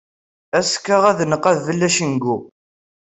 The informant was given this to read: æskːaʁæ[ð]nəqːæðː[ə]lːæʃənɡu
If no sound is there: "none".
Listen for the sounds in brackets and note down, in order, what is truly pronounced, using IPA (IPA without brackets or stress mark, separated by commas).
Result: ð, ə